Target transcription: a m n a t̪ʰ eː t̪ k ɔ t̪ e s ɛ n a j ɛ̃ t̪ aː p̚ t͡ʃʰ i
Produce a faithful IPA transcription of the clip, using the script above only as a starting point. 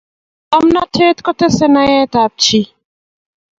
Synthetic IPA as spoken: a m n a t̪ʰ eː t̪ k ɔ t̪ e s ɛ n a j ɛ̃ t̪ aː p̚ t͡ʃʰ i